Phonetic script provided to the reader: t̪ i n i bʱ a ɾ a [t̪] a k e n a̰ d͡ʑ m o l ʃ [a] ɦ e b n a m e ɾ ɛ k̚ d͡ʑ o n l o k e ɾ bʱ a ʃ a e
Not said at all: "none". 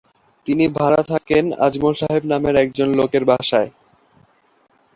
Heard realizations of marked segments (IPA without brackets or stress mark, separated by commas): t̪ʰ, a